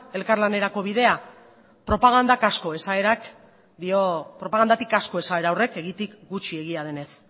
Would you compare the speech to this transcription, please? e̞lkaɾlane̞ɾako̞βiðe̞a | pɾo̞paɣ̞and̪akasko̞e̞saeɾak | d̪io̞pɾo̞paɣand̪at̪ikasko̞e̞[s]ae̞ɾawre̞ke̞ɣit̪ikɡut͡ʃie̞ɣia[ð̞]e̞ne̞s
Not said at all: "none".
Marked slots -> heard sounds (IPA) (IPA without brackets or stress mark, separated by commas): s, ð̞